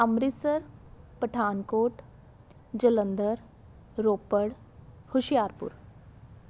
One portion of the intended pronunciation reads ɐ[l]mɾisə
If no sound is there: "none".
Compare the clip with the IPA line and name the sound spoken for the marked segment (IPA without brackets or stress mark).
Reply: none